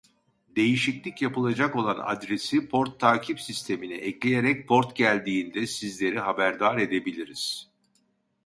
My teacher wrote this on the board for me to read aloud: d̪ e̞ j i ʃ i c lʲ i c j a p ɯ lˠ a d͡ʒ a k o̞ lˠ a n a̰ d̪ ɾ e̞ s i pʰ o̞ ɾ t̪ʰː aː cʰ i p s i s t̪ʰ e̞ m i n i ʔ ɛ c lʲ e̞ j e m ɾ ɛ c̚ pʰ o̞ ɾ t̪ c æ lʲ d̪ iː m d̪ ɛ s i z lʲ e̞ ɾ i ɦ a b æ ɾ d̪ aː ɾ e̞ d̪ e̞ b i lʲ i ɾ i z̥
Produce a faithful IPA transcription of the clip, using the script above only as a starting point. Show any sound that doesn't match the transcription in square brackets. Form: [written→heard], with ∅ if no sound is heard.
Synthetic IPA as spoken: d̪ e̞ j i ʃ i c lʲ i c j a p ɯ lˠ a d͡ʒ a k o̞ lˠ a n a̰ d̪ ɾ e̞ s i pʰ o̞ ɾ t̪ʰː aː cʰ i p s i s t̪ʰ e̞ m i n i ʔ ɛ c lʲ e̞ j e [m→∅] ɾ ɛ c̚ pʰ o̞ ɾ t̪ [c→ɟ] æ lʲ d̪ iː [m→n] d̪ ɛ s i z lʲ e̞ ɾ i ɦ a b æ ɾ d̪ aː ɾ e̞ d̪ e̞ b i lʲ i ɾ i z̥